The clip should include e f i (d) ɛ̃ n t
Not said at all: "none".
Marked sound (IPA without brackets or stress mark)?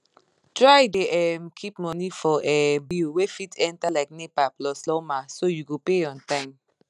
t